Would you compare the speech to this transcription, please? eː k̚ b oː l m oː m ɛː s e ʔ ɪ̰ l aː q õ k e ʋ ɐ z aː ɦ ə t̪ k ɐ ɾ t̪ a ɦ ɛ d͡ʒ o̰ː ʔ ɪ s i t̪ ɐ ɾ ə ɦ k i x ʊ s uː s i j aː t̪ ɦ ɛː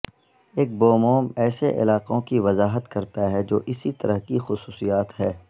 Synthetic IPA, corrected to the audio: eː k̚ b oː m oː m ɛː s e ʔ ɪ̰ l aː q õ k i ʋ ɐ z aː ɦ ə t̪ k ɐ ɾ t̪ a ɦ ɛ d͡ʒ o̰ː ʔ ɪ s i t̪ ɐ ɾ ə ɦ k i x ʊ s uː s i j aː t̪ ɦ ɛː

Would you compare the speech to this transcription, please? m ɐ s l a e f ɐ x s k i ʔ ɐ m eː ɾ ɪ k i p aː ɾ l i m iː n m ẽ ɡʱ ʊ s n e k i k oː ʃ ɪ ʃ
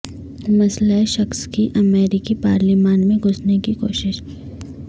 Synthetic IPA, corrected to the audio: m ɐ s l a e ʃ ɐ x s k i ʔ ɐ m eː ɾ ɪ k i p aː ɾ l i m aː n m ẽ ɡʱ ʊ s n e k i k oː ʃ ɪ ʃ

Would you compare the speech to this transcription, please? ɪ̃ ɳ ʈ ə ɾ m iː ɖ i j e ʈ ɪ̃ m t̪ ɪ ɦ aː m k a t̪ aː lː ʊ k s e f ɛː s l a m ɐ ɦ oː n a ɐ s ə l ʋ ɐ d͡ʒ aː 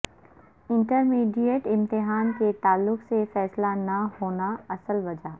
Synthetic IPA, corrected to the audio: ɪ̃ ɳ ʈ ə ɾ m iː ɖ i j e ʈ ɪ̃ m t̪ ɪ ɦ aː n k e t̪ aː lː ʊ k s e f ɛː s l a n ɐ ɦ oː n a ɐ s ə l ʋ ɐ d͡ʒ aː

